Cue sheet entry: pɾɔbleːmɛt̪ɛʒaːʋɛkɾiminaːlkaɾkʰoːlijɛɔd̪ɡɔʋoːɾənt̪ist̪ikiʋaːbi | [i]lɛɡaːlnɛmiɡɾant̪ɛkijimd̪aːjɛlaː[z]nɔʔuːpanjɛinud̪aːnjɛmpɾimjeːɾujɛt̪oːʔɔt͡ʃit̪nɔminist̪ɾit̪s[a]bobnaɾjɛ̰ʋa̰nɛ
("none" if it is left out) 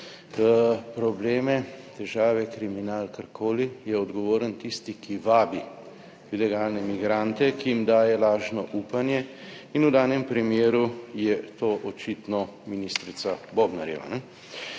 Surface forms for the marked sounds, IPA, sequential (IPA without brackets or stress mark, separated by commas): i, ʒ, a